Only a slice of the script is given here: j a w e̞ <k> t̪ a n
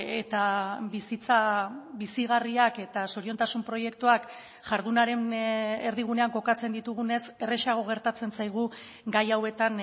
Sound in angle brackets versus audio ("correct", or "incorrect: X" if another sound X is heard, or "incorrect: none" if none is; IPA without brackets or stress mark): incorrect: none